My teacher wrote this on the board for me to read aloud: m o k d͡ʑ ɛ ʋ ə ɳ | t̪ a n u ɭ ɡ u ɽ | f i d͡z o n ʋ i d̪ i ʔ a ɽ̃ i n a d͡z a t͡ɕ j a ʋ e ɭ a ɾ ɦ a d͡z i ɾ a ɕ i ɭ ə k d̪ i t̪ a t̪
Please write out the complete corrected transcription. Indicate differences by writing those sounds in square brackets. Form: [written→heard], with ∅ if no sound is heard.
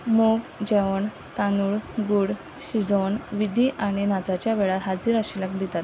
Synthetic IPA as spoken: m o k d͡ʑ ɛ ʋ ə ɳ | t̪ a n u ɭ ɡ u ɽ | [f→ɕ] i d͡z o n ʋ i d̪ i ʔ a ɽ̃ i n a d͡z a t͡ɕ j a ʋ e ɭ a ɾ ɦ a d͡z i ɾ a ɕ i [ɭ→l] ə k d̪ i t̪ a t̪